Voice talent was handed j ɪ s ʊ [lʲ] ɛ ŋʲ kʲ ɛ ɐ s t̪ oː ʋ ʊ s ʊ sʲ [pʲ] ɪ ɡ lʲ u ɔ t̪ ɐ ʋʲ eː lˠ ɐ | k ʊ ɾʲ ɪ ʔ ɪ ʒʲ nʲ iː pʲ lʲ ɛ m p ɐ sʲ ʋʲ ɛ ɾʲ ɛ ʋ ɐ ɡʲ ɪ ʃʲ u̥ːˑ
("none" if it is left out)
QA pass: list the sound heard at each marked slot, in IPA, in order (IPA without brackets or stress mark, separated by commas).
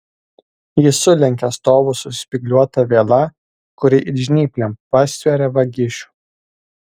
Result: lʲ, pʲ